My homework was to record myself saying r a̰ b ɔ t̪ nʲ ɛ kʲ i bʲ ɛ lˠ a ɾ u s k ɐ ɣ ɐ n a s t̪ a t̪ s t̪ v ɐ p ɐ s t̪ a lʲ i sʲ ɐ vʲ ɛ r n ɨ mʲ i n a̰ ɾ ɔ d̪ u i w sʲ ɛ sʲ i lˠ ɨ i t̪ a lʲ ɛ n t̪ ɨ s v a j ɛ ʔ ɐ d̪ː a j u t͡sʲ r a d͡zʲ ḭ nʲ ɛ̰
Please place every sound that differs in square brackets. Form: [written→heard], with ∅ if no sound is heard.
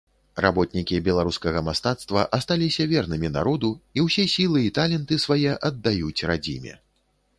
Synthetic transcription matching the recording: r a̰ b ɔ t̪ nʲ [ɛ→i] kʲ i bʲ ɛ lˠ a ɾ u s k ɐ ɣ ɐ [n→m] a s t̪ a t̪ s t̪ v ɐ [p→ʔ] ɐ s t̪ a lʲ i sʲ ɐ vʲ ɛ r n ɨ mʲ i n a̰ ɾ ɔ d̪ u i w sʲ ɛ sʲ i lˠ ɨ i t̪ a lʲ ɛ n t̪ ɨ s v a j ɛ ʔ ɐ d̪ː a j u t͡sʲ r a d͡zʲ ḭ [nʲ→mʲ] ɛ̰